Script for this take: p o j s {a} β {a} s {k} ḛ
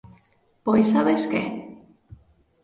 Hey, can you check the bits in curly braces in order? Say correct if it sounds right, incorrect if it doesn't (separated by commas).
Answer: correct, incorrect, correct